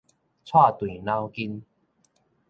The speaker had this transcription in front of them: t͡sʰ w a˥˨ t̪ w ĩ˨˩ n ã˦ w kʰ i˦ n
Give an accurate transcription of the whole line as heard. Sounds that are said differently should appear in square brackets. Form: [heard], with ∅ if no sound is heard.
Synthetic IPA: t͡sʰ w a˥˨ t̪ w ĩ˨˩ n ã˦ w [k] i˦ n